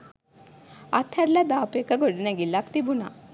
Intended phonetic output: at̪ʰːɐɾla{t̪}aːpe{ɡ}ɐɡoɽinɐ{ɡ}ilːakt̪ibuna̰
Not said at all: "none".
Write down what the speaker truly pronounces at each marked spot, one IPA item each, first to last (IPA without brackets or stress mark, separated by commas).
d̪, k, ɡ